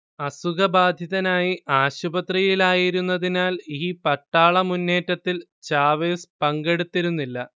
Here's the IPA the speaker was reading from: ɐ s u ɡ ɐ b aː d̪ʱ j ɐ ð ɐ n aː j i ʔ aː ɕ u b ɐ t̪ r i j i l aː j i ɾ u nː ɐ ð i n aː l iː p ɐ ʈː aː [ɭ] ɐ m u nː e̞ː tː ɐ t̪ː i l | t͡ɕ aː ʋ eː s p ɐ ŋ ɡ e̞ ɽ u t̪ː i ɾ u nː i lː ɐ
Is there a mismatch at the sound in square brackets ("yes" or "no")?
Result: no